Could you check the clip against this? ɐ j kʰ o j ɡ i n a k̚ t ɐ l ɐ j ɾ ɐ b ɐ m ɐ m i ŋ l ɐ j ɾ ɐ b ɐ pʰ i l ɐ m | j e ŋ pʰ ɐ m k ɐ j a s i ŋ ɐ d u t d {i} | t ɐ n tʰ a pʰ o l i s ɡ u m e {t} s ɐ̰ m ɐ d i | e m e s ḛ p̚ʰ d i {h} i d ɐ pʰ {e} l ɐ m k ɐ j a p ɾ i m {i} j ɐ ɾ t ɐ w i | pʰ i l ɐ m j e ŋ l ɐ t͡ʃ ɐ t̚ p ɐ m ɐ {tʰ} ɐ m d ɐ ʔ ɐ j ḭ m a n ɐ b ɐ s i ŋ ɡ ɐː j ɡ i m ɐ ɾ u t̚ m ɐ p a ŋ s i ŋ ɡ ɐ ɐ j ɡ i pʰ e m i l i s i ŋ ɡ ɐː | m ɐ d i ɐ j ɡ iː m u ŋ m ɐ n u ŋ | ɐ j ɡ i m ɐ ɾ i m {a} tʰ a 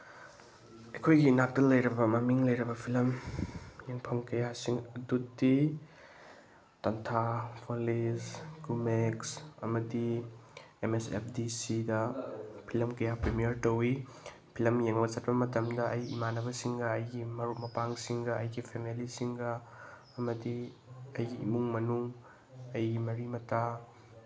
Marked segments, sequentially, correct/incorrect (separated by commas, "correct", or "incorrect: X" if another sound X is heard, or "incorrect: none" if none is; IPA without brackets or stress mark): correct, incorrect: k, incorrect: s, incorrect: i, correct, incorrect: t, incorrect: ɐ